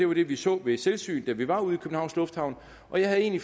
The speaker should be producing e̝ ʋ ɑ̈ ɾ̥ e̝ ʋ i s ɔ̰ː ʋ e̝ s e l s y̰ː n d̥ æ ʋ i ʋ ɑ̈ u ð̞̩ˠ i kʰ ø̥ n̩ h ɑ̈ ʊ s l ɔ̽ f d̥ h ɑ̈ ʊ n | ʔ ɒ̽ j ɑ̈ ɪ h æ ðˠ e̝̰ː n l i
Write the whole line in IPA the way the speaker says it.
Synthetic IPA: e̝ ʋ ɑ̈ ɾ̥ e̝ ʋ i s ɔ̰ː ʋ e̝ s e l s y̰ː n d̥ æ ʋ i ʋ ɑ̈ u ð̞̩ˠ i kʰ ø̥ n̩ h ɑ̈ ʊ s l ɔ̽ f d̥ h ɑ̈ ʊ n | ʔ ɒ̽ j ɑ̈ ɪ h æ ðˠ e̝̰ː n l i